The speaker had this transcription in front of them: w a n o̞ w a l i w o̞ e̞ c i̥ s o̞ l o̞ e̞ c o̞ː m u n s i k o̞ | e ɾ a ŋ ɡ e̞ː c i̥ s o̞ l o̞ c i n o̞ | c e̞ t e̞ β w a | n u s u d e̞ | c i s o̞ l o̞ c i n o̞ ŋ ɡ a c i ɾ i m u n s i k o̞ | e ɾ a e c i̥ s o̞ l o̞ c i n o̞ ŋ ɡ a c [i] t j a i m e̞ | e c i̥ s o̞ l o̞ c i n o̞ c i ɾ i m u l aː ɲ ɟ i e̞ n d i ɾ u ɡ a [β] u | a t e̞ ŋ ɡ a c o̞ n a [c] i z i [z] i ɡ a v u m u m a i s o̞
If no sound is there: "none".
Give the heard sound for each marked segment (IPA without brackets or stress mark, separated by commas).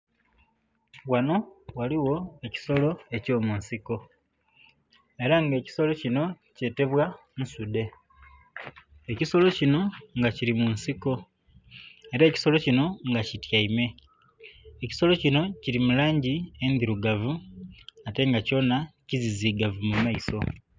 i, v, c, z